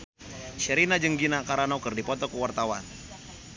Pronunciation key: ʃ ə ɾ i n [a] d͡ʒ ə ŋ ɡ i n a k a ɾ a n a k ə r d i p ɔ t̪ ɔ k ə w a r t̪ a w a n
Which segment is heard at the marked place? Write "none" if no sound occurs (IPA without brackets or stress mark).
a